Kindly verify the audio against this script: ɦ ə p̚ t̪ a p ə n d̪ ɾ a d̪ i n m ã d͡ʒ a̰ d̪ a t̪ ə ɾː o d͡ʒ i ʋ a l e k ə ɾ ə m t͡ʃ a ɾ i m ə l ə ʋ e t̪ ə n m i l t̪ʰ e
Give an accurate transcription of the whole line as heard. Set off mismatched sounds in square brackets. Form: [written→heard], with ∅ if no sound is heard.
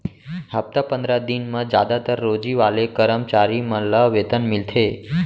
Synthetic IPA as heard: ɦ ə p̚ t̪ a p ə n d̪ ɾ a d̪ i n m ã d͡ʒ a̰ d̪ a t̪ ə ɾː o d͡ʒ i ʋ a l e k ə ɾ ə m t͡ʃ a ɾ i m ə l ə ʋ e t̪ ə n m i l t̪ʰ e

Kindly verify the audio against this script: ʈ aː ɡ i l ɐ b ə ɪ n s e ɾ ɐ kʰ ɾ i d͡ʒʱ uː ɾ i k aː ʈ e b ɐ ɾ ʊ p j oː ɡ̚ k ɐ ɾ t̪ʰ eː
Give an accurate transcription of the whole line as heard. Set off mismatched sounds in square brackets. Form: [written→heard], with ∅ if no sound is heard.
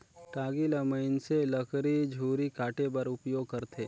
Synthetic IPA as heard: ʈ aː ɡ i l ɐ [b→m] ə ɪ n s e [ɾ→l] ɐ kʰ ɾ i d͡ʒʱ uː ɾ i k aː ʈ e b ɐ ɾ ʊ p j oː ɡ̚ k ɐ ɾ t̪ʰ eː

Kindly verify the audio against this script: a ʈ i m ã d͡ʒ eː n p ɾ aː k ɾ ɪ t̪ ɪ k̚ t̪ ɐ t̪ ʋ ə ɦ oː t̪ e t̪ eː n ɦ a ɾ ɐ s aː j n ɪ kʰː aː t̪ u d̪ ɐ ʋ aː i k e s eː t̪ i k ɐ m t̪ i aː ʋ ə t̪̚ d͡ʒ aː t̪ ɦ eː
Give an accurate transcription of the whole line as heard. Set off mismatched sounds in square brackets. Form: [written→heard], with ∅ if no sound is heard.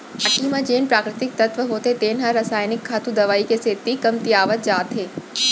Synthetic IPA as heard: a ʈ i m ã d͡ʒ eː n p ɾ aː k ɾ ɪ t̪ ɪ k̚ t̪ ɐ t̪ ʋ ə ɦ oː t̪ e t̪ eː n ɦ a ɾ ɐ s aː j n ɪ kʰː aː t̪ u d̪ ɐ ʋ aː i k e s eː t̪ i k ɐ m t̪ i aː ʋ ə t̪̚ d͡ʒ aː t̪ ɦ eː

